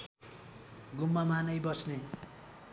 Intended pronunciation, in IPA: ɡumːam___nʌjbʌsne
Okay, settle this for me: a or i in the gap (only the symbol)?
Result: a